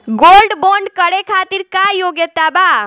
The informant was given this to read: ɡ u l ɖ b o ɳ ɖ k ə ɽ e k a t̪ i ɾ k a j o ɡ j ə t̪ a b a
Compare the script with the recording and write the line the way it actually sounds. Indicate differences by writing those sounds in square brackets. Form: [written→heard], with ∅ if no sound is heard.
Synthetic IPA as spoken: ɡ [u→o] l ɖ b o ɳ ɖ k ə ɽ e [k→kʰ] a t̪ i ɾ k a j o ɡ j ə t̪ a b a